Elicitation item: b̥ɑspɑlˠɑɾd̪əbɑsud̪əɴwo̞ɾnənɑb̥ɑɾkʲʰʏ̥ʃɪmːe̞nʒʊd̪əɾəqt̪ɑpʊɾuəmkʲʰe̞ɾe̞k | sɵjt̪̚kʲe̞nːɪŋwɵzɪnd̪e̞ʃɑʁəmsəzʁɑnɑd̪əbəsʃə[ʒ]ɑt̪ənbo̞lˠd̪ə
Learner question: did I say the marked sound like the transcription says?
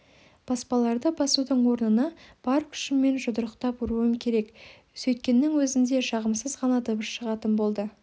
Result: no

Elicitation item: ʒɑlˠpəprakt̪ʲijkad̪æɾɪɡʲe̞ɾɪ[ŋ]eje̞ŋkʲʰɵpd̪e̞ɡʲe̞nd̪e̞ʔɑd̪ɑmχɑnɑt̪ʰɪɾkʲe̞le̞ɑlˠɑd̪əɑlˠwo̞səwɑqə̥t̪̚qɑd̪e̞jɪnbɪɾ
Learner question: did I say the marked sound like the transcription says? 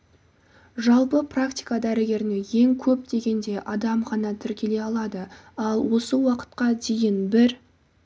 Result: no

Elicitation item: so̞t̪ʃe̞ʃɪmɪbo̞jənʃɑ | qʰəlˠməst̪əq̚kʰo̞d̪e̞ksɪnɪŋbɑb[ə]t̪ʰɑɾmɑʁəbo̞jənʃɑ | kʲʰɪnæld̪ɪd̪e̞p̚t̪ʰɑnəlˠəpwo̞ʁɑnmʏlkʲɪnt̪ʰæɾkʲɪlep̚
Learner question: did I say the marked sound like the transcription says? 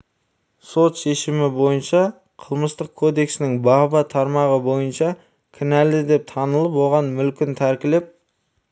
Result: no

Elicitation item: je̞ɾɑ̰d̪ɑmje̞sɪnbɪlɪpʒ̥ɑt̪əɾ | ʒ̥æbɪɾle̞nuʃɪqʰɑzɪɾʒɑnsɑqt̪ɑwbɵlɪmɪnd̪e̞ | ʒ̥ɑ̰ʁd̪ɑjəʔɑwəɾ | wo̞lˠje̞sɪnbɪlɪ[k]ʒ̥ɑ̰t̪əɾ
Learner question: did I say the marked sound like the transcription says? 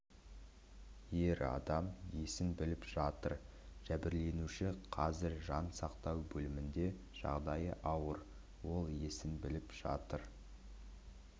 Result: no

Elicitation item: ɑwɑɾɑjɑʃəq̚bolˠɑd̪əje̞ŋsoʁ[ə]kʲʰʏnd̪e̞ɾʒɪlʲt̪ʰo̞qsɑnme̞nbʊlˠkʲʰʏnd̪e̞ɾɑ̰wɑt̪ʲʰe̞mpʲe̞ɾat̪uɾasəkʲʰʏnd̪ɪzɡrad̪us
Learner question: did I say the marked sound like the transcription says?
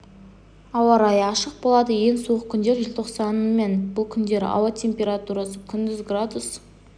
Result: yes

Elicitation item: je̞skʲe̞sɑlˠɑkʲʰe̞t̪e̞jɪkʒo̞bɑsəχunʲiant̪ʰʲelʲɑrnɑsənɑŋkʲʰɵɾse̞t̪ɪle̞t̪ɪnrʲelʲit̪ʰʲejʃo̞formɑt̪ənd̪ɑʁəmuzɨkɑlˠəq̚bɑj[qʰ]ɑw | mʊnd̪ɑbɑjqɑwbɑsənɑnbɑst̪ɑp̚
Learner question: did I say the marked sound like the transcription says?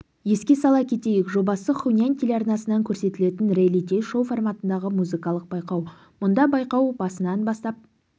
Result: no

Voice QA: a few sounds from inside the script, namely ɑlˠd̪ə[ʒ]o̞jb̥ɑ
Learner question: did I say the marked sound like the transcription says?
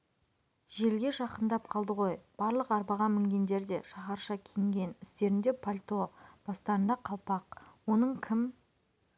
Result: no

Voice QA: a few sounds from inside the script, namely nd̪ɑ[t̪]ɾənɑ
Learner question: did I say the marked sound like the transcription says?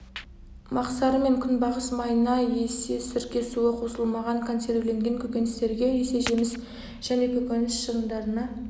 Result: no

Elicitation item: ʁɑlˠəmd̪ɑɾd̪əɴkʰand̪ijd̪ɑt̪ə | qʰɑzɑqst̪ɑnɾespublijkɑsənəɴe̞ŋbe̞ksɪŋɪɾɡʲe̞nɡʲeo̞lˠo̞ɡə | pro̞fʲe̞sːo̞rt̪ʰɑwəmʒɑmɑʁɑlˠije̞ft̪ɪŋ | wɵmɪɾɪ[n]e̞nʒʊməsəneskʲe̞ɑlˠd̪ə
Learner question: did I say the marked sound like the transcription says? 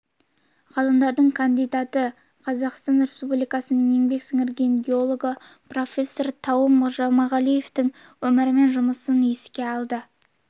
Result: no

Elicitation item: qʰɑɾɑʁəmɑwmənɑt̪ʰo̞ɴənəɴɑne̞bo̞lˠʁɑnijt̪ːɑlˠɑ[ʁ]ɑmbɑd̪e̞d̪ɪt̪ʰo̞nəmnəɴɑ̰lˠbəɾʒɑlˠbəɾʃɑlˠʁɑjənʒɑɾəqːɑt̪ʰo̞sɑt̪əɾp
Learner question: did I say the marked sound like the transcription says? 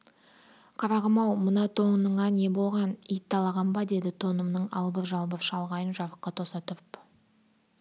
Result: yes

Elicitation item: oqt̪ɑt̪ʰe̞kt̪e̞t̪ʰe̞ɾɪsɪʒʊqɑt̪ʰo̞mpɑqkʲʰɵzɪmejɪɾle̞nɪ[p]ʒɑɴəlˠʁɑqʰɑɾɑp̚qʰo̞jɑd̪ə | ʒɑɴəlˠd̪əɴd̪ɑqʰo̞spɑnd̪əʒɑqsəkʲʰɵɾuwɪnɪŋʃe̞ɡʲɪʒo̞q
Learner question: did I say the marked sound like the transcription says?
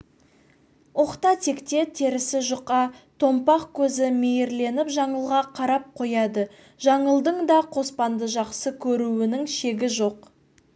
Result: yes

